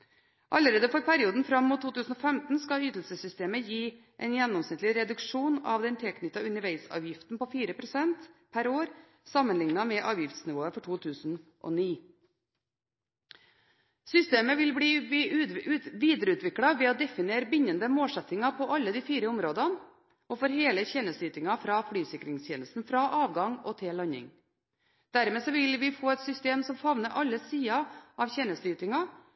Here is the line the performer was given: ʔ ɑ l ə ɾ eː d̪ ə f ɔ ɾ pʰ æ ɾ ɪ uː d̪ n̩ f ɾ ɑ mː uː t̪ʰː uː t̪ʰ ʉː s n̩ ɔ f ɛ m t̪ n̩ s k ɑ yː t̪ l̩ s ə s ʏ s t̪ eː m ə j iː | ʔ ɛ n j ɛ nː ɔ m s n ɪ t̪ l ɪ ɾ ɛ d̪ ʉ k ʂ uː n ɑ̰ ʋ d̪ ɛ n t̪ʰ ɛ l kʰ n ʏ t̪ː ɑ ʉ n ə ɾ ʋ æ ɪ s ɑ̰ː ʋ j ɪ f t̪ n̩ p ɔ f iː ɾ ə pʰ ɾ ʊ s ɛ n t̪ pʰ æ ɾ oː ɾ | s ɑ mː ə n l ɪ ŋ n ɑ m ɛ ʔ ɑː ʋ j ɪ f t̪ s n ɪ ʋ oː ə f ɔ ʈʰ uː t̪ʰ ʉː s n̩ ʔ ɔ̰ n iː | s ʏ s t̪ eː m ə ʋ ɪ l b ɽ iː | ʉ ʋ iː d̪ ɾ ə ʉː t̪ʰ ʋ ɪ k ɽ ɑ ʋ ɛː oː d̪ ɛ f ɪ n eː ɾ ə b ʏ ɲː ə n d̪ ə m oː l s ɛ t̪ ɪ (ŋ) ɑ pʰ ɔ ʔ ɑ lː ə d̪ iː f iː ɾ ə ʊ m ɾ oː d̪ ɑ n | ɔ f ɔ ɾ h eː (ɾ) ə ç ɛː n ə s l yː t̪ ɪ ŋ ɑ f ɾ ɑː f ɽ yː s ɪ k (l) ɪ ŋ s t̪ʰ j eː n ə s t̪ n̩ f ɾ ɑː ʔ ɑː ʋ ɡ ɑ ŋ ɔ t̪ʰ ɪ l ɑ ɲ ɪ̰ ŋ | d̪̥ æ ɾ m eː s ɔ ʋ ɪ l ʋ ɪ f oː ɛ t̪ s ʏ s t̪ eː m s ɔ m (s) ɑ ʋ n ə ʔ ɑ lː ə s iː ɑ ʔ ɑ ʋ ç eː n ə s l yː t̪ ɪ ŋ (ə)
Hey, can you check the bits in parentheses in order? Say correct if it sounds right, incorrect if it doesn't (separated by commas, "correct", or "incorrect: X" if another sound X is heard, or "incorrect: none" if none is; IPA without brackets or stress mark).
correct, incorrect: l, incorrect: ɾ, incorrect: f, incorrect: ɑ